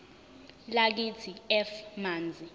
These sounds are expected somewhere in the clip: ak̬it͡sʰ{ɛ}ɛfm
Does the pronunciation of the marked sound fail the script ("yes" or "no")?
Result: yes